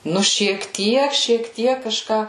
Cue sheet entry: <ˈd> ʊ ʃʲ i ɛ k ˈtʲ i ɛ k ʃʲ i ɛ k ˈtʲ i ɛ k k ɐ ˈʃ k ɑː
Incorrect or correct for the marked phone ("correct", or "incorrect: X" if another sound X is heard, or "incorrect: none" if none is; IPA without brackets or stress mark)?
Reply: incorrect: n